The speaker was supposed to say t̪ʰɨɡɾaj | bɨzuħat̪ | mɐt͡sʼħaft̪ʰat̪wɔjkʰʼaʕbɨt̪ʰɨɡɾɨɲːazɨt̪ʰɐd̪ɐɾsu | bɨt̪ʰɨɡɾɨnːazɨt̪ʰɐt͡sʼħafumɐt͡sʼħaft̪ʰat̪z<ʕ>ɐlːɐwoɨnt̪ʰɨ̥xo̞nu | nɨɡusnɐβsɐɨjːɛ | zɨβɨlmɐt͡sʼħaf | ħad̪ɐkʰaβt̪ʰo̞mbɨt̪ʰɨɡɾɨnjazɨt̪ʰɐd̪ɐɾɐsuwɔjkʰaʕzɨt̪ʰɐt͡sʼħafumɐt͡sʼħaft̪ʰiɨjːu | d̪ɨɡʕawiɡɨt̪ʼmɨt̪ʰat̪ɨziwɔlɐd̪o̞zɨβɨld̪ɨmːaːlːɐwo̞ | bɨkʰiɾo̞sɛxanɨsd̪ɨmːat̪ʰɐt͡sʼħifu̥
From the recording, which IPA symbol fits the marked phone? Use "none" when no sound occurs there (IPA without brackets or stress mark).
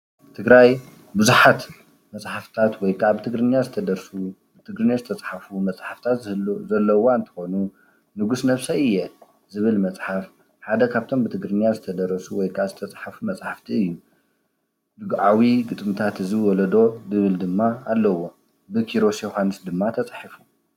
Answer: z